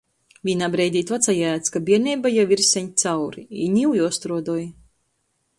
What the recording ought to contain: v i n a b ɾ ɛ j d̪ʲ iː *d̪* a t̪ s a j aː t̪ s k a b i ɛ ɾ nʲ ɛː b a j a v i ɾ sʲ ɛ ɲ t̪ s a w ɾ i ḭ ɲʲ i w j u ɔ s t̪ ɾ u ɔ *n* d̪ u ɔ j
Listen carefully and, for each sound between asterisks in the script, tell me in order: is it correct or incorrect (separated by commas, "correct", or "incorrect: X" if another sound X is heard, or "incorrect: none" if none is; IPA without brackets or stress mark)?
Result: incorrect: t̪, incorrect: none